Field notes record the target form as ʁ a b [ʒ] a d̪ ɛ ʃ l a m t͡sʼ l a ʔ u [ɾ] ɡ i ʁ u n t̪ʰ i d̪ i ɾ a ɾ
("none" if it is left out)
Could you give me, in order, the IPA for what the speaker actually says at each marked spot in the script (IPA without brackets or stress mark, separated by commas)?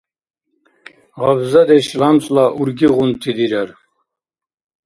z, ɾ